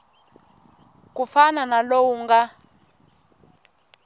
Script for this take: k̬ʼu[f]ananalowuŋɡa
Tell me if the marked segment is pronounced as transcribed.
yes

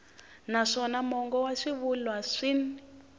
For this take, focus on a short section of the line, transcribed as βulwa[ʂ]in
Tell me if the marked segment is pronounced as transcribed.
yes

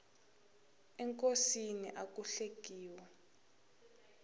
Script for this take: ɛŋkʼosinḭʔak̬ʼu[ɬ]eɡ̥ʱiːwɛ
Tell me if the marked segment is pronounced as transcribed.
yes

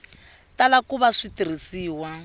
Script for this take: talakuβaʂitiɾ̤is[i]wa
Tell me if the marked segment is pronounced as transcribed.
no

